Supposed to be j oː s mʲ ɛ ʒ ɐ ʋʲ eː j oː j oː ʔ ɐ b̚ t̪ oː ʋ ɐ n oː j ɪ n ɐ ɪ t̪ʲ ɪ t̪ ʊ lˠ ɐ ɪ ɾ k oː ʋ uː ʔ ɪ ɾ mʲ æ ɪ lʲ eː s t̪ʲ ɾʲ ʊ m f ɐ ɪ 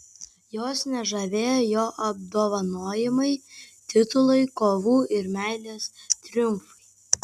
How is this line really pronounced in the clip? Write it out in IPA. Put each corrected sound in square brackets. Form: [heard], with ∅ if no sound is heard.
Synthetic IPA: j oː s [nʲ] ɛ ʒ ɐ ʋʲ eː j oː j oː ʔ ɐ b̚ [d̪] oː ʋ ɐ n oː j ɪ [m] ɐ ɪ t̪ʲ ɪ t̪ ʊ lˠ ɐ ɪ [∅] k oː ʋ uː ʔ ɪ ɾ mʲ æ ɪ lʲ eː s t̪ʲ ɾʲ ʊ m f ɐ ɪ